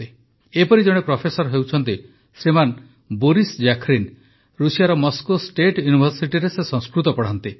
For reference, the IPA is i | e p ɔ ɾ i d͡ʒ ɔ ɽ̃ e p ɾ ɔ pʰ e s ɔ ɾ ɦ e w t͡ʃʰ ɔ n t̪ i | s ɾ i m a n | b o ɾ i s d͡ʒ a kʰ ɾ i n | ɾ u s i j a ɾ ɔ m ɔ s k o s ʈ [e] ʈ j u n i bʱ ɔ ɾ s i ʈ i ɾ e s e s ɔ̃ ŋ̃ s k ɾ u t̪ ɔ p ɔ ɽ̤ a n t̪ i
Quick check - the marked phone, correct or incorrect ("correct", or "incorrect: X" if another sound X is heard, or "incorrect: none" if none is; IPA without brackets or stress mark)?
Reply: correct